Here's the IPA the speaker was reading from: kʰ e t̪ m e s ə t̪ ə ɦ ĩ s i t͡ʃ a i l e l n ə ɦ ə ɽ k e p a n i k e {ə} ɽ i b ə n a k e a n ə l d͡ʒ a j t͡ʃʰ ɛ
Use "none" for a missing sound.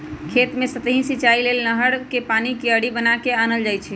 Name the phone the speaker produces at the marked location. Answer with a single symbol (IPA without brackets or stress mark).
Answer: ə